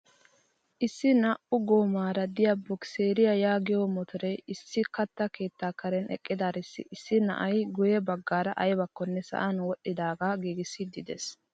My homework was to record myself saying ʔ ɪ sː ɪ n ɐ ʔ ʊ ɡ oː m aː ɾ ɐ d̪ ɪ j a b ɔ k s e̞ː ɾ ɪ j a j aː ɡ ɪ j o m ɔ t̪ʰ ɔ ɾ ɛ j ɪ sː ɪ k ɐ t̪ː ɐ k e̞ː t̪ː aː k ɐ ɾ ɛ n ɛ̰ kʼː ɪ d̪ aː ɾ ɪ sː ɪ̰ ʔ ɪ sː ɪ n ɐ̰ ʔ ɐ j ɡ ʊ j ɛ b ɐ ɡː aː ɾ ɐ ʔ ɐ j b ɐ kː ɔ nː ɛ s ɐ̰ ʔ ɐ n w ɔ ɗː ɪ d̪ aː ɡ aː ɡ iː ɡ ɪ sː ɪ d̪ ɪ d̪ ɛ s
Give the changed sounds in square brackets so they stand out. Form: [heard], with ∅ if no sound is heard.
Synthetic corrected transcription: ʔ ɪ sː ɪ n ɐ ʔ ʊ ɡ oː m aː ɾ ɐ d̪ ɪ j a b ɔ k s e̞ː ɾ ɪ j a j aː ɡ ɪ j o m ɔ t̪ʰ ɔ ɾ ɛ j ɪ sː ɪ k ɐ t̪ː ɐ k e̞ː t̪ː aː k ɐ ɾ ɛ n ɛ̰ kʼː ɪ d̪ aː ɾ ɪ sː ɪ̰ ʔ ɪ sː ɪ n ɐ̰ ʔ ɐ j ɡ ʊ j ɛ b ɐ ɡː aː ɾ ɐ ʔ ɐ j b ɐ kː ɔ nː ɛ s ɐ̰ ʔ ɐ n w ɔ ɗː ɪ d̪ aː ɡ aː ɡ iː ɡ ɪ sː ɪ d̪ ɪ d̪ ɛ s